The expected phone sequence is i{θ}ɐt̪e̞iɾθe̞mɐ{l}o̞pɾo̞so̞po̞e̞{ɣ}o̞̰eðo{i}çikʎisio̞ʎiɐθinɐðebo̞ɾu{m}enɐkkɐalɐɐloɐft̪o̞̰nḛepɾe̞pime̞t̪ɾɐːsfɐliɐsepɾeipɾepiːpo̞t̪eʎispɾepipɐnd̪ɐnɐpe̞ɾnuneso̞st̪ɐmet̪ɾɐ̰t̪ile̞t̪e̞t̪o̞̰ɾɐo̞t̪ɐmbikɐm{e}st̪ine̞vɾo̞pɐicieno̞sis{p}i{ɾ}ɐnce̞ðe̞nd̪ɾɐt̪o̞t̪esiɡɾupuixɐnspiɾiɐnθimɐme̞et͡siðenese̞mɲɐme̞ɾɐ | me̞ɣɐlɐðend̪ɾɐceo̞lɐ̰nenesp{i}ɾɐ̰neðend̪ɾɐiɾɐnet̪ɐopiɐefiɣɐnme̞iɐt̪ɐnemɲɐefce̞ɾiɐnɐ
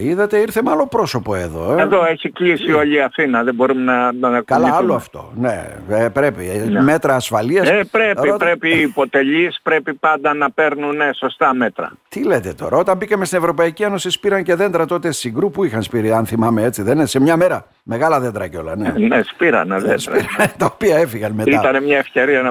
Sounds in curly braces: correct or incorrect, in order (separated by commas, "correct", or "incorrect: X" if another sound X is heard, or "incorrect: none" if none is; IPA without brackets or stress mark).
incorrect: ð, correct, incorrect: ð, incorrect: e, correct, correct, correct, correct, correct